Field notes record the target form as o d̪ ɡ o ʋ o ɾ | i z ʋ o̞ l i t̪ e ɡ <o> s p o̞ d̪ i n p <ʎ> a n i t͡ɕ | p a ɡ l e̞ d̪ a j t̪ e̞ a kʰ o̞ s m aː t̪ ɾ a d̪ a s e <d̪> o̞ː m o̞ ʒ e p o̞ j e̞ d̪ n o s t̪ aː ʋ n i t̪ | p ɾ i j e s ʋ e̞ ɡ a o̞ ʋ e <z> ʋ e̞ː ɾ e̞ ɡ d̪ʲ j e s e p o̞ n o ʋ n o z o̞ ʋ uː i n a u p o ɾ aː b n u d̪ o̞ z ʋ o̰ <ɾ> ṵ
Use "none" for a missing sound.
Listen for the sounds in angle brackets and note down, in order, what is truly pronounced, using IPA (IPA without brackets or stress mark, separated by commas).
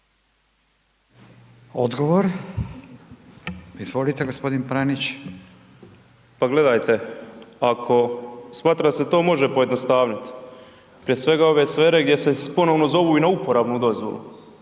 o, ɾ, t̪, s, l